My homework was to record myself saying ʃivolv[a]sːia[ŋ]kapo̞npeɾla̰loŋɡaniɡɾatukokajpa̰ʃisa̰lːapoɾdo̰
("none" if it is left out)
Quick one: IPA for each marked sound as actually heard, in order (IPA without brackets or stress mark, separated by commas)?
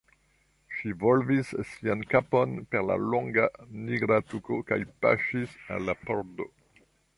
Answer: i, n